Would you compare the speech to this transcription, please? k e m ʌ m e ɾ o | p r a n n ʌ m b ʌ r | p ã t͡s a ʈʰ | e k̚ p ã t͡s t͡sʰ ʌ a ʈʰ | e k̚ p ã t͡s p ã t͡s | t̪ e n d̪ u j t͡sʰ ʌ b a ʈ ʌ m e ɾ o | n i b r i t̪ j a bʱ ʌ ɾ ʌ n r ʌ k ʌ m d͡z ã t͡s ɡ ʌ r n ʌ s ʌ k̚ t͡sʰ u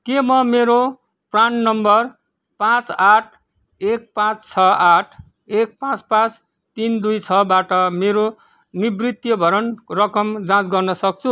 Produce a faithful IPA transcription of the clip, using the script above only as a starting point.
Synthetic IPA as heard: k e m ʌ m e ɾ o | p r a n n ʌ m b ʌ r | p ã t͡s a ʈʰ | e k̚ p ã t͡s t͡sʰ ʌ a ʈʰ | e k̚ p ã t͡s p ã t͡s | t̪ i n d̪ u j t͡sʰ ʌ b a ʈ ʌ m e ɾ o | n i b r i t̪ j ʌ bʱ ʌ ɾ ʌ n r ʌ k ʌ m d͡z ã t͡s ɡ ʌ r n ʌ s ʌ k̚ t͡sʰ u

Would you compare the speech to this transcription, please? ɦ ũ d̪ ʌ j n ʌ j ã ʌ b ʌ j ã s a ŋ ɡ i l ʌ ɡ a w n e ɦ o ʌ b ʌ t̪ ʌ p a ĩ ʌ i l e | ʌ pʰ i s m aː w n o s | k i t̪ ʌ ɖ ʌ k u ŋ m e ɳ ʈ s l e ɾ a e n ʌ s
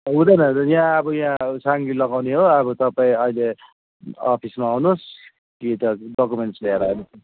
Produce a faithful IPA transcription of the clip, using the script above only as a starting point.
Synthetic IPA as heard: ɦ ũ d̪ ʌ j n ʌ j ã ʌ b ʌ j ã s a ŋ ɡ i l ʌ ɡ a w n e ɦ o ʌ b ʌ t̪ ʌ p a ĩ ʌ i l e | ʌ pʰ i s m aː w n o s | k i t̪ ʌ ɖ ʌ k u m e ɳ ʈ s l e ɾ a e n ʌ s

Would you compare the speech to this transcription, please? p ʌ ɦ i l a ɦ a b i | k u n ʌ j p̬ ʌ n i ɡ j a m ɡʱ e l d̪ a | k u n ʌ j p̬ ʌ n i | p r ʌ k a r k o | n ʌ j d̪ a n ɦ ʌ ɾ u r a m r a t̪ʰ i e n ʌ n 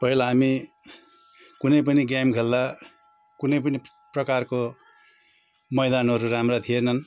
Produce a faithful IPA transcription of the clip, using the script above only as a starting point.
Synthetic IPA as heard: p ʌ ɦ i l a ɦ a m i | k u n ʌ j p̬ ʌ n i ɡ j a m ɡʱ e l d̪ a | k u n ʌ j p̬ ʌ n i | p r ʌ k a r k o | m ʌ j d̪ a n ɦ ʌ ɾ u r a m r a t̪ʰ i e n ʌ n

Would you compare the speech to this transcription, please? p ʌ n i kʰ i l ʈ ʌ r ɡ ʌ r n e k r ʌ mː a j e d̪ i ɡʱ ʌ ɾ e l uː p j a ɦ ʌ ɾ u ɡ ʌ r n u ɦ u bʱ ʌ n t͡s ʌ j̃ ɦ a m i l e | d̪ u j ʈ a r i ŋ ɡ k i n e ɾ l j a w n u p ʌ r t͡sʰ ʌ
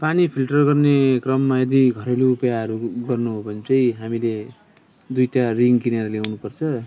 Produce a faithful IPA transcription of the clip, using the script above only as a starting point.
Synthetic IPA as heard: p a n i pʰ i l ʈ ʌ r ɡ ʌ r n e k r ʌ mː a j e d̪ i ɡʱ ʌ ɾ e l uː p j a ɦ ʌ ɾ u ɡ ʌ r n u ɦ o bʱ ʌ n t͡s ʌ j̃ ɦ a m i l e | d̪ u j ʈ a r i ŋ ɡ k i n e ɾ l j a w n u p ʌ r t͡sʰ ʌ

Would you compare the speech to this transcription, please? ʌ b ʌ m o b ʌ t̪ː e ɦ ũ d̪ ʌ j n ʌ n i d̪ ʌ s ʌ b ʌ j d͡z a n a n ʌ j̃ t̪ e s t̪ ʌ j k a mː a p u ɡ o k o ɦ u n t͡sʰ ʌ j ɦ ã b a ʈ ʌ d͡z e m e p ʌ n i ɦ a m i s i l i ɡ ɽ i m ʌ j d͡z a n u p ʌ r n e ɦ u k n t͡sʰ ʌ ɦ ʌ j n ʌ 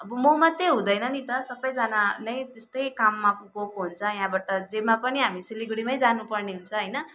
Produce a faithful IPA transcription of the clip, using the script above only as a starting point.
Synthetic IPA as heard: ʌ b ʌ m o m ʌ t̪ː e ɦ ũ d̪ ʌ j n ʌ n i t̪ ʌ s ʌ b ʌ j d͡z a n a n ʌ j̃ t̪ e s t̪ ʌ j k a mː a p u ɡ o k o ɦ u n t͡sʰ ʌ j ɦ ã b a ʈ ʌ d͡z e m a p ʌ n i ɦ a m i s i l i ɡ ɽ i m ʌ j d͡z a n u p ʌ r n e ɦ u n t͡sʰ ʌ ɦ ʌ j n ʌ

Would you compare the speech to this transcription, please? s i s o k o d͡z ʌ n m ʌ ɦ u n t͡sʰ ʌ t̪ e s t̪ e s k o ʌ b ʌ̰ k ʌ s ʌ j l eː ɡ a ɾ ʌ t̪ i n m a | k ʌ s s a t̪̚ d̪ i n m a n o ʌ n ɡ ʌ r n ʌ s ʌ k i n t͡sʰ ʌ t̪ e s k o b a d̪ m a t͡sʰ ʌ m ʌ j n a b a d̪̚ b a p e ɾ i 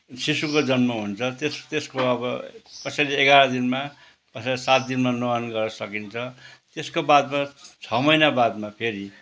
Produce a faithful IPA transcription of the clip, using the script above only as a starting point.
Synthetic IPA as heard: s i s u k o d͡z ʌ n m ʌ ɦ u n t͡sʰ ʌ t̪ e s t̪ e s k o ʌ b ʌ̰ k ʌ s ʌ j l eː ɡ a ɾ ʌ d̪ i n m a | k ʌ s s a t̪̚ d̪ i n m a n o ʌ n ɡ ʌ r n ʌ s ʌ k i n t͡sʰ ʌ t̪ e s k o b a d̪ m a t͡sʰ ʌ m ʌ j n a b a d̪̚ m a pʰ e ɾ i

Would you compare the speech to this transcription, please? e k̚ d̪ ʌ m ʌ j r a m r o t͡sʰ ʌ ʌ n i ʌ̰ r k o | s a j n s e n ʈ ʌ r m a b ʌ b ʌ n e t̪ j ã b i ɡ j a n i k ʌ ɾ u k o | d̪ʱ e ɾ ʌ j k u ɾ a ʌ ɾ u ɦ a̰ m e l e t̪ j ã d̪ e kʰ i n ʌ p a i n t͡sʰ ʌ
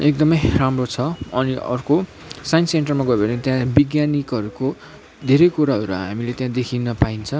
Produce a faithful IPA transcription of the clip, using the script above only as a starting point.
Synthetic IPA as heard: e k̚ d̪ ʌ m ʌ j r a m r o t͡sʰ ʌ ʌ n i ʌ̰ r k o | s a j n s e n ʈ ʌ r m a ɡ ʌ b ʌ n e t̪ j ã b i ɡ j a n i k ʌ ɾ u k o | d̪ʱ e ɾ ʌ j k u ɾ a ʌ ɾ u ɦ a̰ m i l e t̪ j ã d̪ e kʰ i n ʌ p a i n t͡sʰ ʌ

